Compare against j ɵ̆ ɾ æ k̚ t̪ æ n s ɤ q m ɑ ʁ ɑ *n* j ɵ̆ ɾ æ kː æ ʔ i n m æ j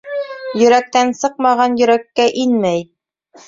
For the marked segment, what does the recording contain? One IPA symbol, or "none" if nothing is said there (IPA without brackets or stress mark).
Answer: n